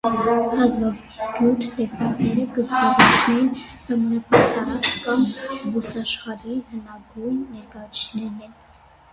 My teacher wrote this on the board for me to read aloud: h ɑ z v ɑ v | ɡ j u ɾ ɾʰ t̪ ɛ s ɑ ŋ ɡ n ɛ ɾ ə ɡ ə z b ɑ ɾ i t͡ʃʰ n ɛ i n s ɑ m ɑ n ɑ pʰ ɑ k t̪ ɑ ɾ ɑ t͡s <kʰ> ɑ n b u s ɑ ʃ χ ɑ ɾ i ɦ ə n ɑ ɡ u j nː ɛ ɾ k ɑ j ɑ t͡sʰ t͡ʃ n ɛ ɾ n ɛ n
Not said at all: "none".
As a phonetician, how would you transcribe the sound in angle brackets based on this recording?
k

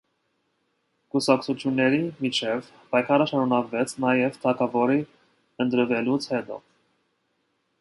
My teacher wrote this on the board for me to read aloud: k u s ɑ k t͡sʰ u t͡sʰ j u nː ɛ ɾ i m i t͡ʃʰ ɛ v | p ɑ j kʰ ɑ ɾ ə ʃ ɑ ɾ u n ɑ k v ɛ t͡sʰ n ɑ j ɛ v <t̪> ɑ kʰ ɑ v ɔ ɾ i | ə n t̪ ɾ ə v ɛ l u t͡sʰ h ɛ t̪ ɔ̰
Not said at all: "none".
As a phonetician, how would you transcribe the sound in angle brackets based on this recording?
t̪ʰ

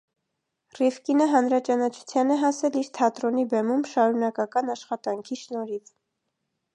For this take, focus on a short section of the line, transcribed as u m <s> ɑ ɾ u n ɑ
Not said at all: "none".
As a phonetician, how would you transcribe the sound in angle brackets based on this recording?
ʃ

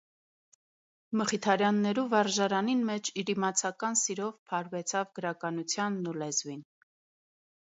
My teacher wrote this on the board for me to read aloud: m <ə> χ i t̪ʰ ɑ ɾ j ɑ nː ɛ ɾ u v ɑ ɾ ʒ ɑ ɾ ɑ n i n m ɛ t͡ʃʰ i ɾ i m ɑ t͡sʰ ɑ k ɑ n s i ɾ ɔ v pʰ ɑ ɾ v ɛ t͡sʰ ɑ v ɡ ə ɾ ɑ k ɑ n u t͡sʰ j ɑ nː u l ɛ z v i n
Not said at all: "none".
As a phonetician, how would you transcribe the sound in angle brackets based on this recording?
ə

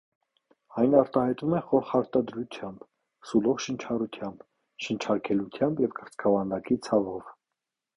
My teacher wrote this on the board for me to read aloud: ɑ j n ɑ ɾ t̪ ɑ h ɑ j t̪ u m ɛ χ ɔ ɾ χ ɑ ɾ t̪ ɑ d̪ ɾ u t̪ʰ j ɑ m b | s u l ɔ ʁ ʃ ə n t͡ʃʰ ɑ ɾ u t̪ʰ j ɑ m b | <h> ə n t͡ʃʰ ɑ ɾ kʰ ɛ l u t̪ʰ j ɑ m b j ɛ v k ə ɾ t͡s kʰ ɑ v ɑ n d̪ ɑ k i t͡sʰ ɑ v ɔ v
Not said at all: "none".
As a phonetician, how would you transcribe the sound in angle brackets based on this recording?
ʃ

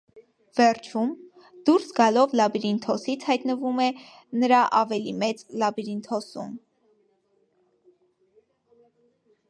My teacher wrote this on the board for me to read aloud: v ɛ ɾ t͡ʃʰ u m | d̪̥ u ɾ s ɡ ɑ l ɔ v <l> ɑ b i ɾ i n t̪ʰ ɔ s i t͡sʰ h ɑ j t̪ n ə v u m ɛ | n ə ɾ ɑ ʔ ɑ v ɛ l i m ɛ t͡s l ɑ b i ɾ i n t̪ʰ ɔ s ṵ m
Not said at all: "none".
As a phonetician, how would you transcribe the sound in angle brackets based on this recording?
l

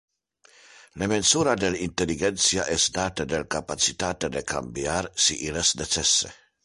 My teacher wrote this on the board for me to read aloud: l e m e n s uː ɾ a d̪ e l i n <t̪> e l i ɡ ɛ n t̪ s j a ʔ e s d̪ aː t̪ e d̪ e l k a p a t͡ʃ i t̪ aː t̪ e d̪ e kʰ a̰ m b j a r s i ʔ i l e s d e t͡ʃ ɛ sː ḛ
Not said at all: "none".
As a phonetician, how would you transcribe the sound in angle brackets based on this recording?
t̪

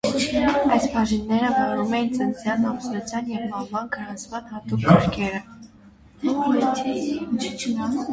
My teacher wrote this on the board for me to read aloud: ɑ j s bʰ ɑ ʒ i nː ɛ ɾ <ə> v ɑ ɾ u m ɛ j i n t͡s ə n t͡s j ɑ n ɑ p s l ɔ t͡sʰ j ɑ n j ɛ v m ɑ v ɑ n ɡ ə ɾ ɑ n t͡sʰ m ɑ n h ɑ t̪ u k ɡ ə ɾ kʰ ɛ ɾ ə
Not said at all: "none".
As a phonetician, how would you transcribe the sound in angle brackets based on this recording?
ə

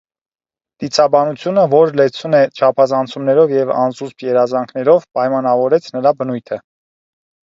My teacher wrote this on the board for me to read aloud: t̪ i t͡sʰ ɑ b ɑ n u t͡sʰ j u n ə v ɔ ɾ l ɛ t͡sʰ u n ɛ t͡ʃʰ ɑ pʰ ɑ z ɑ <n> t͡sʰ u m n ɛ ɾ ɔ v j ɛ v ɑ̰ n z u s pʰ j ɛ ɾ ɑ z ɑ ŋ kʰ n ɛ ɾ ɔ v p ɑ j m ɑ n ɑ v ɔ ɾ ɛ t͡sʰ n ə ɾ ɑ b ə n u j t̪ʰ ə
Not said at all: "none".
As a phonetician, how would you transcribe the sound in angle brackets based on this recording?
n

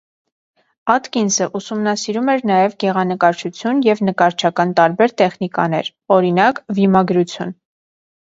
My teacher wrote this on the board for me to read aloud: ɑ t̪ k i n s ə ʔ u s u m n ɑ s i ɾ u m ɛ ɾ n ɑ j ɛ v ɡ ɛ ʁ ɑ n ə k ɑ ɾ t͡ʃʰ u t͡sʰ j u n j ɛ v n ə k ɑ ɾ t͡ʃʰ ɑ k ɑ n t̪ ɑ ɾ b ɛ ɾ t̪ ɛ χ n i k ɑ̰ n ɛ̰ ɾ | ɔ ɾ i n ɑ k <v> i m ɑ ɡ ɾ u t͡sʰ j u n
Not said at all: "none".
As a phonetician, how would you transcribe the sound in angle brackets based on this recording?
v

